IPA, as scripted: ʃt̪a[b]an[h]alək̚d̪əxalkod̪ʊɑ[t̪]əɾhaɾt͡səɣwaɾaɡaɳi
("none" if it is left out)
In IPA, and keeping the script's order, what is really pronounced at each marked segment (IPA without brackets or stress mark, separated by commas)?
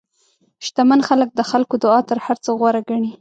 m, x, t̪